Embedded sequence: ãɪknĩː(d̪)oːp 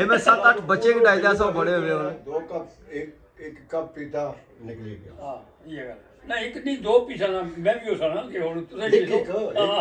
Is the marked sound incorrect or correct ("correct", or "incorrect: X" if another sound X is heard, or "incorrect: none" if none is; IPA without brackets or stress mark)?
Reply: correct